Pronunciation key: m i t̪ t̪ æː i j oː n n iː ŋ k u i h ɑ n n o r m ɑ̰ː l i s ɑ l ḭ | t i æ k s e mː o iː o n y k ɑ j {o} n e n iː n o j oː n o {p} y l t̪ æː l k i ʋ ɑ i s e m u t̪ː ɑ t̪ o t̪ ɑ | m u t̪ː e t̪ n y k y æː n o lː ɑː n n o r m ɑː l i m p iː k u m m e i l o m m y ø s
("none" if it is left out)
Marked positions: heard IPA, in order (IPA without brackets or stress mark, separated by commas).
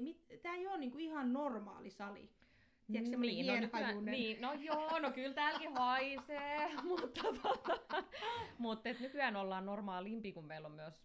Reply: u, k